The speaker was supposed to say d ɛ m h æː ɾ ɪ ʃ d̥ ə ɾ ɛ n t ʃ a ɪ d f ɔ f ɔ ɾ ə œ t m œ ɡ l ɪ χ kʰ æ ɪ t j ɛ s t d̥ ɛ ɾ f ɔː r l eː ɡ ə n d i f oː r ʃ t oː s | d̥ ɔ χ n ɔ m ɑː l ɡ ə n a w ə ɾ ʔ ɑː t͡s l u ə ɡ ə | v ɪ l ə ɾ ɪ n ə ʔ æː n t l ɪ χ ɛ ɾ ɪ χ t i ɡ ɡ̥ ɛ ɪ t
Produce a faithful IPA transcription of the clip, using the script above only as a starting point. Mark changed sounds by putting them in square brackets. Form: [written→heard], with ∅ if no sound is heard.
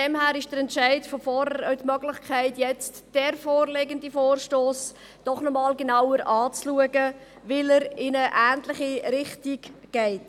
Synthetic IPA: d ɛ m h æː ɾ ɪ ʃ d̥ ə ɾ ɛ n t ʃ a ɪ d f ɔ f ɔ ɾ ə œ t m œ ɡ l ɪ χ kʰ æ ɪ t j ɛ [s→t͡s] t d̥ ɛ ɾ f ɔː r l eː ɡ ə n d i f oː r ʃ t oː s | d̥ ɔ χ n ɔ m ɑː l ɡ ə n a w ə ɾ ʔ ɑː t͡s l u ə ɡ ə | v ɪ l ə ɾ ɪ n ə ʔ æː n t l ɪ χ [ɛ→i] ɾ ɪ χ t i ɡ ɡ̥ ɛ ɪ t